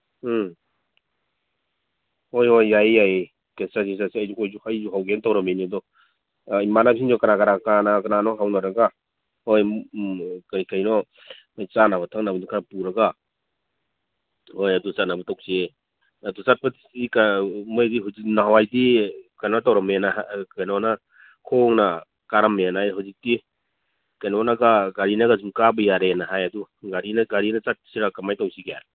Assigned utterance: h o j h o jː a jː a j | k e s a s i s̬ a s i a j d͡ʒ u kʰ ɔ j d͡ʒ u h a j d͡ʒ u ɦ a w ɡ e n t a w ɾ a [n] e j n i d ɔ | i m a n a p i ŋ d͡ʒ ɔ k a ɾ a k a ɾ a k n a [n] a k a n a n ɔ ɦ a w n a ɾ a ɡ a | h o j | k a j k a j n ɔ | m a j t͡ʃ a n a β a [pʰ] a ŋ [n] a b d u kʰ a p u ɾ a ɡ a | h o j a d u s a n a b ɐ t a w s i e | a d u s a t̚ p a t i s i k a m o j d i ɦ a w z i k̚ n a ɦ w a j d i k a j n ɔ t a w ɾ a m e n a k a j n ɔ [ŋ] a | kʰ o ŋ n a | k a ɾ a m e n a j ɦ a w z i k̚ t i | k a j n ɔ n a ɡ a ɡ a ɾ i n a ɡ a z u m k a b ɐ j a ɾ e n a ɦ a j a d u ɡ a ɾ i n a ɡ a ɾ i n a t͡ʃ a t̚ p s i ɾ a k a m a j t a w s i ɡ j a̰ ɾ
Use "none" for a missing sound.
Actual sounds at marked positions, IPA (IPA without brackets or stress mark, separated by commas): m, n, tʰ, n, n